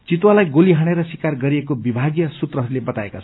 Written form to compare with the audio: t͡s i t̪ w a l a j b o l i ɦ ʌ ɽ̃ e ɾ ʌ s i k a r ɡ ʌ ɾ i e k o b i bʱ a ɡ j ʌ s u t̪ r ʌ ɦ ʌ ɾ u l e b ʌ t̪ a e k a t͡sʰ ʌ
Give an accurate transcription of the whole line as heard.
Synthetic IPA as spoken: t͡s i t̪ w a l a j ɡ o l i ɦ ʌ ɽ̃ e ɾ ʌ s i k a r ɡ ʌ ɾ i e k o b i bʱ a ɡ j ʌ s u t̪ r ʌ ɦ ʌ ɾ u l e b ʌ t̪ a e k a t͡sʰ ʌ